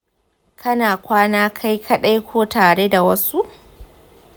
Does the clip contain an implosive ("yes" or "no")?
yes